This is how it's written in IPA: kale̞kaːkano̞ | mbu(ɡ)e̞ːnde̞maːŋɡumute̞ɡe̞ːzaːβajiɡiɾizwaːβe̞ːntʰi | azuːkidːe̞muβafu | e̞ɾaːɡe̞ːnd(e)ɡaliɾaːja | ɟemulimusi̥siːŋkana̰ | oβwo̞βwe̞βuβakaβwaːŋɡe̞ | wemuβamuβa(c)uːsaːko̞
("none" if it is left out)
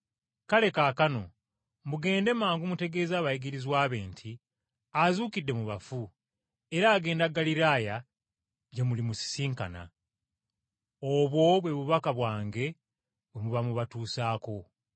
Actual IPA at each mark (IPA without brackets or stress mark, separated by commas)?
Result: ɡ, a, t